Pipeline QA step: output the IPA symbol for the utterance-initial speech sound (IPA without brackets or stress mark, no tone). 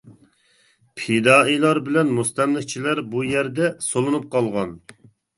pʰ